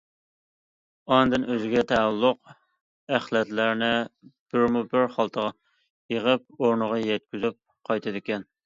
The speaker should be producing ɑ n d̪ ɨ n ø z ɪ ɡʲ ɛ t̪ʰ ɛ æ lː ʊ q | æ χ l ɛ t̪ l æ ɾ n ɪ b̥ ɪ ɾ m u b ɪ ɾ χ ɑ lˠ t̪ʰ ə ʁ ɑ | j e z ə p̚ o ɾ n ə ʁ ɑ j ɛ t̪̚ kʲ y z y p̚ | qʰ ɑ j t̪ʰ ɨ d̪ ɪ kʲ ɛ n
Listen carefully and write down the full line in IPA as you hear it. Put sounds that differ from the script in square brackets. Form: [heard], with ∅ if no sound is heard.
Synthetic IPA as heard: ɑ n d̪ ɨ n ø z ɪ ɡʲ ɛ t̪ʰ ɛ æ lː ʊ q | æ χ l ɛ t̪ l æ ɾ n ɪ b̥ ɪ ɾ m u b ɪ ɾ χ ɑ lˠ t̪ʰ ə ʁ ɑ | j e [ʁ] ə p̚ o ɾ n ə ʁ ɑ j ɛ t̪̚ kʲ y z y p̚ | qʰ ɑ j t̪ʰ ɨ d̪ ɪ kʲ ɛ n